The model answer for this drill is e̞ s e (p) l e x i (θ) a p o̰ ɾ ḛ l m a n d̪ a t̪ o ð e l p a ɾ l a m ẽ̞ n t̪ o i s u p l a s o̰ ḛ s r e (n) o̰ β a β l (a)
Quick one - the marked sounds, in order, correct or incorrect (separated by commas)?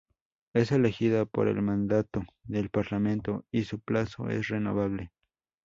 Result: incorrect, incorrect, correct, incorrect